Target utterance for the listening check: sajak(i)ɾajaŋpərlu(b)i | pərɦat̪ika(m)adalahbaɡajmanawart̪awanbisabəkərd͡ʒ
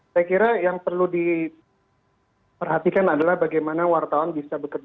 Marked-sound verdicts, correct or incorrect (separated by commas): correct, incorrect, incorrect